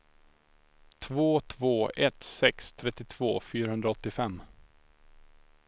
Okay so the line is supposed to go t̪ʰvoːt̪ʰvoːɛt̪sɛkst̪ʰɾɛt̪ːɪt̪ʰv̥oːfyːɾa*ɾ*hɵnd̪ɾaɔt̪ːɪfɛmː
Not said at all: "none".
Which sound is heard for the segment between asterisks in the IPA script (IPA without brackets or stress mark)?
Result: none